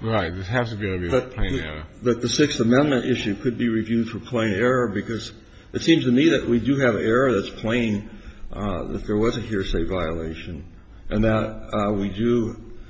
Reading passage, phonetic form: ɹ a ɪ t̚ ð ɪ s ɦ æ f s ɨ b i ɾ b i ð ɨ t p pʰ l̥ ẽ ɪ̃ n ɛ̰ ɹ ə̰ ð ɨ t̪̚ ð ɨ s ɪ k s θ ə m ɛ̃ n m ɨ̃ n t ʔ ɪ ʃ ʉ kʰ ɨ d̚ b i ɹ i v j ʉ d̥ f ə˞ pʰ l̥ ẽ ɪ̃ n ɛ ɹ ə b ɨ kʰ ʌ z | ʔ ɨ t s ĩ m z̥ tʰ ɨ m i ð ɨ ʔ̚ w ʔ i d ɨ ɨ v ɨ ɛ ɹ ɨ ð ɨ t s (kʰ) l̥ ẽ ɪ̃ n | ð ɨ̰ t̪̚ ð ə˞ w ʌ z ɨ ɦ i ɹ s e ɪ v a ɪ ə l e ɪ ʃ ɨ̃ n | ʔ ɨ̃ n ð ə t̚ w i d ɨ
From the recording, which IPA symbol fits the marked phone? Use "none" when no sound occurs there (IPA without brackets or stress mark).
pʰ